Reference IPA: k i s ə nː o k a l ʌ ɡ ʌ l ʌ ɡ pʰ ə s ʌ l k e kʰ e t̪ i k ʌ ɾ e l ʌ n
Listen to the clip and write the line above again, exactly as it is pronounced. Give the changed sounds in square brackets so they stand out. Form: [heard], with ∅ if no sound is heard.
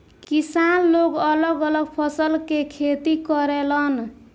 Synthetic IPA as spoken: k i s [a] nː o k [ʌ] l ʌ ɡ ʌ l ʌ ɡ pʰ [ʌ] s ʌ l k e kʰ e t̪ i k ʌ ɾ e l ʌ n